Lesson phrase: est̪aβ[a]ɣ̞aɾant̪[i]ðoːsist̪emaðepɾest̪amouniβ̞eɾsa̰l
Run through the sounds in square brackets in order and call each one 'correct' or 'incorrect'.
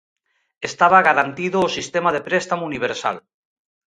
correct, correct

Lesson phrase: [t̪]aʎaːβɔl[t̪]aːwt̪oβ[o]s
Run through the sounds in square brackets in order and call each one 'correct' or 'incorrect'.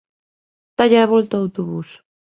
correct, correct, incorrect: u

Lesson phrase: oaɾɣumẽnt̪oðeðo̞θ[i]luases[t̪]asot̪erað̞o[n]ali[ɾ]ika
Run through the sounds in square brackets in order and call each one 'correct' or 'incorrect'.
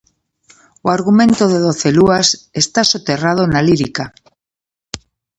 incorrect: e, correct, correct, correct

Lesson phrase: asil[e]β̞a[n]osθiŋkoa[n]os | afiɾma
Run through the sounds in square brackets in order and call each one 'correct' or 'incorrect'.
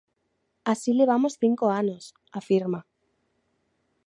correct, incorrect: m, correct

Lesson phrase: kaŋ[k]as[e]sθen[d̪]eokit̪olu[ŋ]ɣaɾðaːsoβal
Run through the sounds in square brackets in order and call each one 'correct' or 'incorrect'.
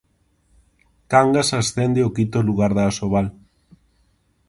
incorrect: ɡ, incorrect: a, correct, incorrect: none

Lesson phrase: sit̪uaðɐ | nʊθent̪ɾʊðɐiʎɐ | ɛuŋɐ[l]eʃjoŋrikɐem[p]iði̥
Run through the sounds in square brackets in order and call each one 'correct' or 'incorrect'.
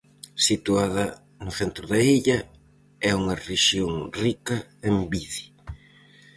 incorrect: r, incorrect: b

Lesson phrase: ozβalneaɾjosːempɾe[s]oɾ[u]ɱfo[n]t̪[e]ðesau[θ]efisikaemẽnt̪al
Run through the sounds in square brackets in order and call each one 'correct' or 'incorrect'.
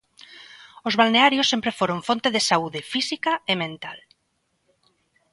incorrect: f, incorrect: o, correct, correct, incorrect: ð

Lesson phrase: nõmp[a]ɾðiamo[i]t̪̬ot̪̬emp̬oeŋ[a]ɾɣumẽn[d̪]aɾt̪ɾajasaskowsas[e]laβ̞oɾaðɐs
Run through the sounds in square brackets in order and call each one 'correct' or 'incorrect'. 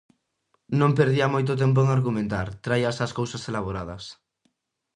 incorrect: e, incorrect: j, correct, incorrect: t̪, correct

